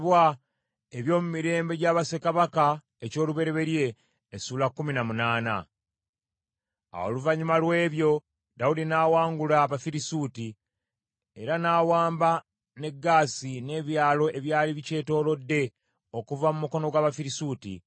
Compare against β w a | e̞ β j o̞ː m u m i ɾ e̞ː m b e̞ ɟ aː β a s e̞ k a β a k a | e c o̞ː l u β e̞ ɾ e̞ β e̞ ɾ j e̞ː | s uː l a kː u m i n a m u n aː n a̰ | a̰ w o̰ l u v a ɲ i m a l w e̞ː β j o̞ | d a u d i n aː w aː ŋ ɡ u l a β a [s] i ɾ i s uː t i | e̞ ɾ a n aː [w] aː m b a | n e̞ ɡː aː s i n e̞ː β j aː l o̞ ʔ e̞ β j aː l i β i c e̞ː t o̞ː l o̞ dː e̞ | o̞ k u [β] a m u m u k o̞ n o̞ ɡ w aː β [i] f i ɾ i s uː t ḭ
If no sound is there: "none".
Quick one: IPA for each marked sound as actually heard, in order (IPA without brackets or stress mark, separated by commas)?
f, w, v, a